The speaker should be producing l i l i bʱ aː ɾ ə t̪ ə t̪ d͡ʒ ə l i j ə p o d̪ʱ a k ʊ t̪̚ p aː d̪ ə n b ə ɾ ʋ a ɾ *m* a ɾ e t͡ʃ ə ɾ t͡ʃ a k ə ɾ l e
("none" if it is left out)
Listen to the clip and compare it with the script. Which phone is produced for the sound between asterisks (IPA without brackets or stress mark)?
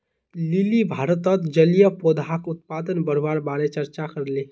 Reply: b